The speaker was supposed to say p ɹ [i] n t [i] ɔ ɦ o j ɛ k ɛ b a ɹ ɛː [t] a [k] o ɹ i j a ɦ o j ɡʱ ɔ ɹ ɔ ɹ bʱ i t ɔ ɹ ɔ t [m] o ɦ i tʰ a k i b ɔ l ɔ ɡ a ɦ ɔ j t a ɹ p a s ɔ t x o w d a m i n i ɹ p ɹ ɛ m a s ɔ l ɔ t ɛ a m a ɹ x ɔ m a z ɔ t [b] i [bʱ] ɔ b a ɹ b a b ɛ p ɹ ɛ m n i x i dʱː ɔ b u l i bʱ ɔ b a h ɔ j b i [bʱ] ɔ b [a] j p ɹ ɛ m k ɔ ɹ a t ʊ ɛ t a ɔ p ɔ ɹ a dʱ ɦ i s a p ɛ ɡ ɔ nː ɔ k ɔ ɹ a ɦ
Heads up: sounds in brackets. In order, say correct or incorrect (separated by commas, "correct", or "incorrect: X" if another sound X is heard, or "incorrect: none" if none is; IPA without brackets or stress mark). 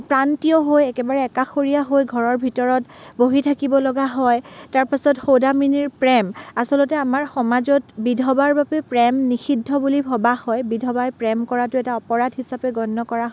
incorrect: a, correct, incorrect: k, incorrect: x, incorrect: b, correct, incorrect: dʱ, incorrect: dʱ, correct